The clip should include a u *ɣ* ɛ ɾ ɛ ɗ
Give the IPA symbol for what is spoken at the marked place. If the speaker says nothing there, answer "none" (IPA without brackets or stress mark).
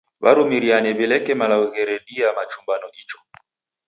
ɣ